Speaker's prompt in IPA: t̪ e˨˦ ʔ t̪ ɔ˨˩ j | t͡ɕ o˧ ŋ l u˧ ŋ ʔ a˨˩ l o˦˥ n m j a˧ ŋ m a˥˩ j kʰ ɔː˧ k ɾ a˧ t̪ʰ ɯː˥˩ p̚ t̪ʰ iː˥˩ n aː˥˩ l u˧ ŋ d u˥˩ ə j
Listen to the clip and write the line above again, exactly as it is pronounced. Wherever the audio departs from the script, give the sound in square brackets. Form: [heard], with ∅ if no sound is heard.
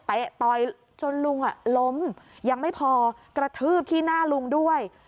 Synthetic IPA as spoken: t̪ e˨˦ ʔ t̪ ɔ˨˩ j | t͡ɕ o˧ [n] l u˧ ŋ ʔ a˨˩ l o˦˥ [∅] m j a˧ ŋ m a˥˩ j [pʰ] ɔː˧ k ɾ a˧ t̪ʰ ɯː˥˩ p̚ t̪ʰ iː˥˩ n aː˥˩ l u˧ ŋ d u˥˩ ə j